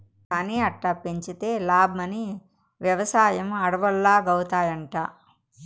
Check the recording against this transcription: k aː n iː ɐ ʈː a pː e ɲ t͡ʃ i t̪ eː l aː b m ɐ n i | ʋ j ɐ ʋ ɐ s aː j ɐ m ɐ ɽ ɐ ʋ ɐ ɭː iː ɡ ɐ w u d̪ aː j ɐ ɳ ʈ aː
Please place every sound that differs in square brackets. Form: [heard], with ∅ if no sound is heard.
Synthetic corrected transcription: k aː n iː ɐ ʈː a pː e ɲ t͡ʃ i t̪ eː l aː b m ɐ n i | ʋ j ɐ ʋ ɐ s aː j ɐ m ɐ ɽ ɐ ʋ ɐ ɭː [aː] ɡ ɐ w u [t̪] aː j ɐ ɳ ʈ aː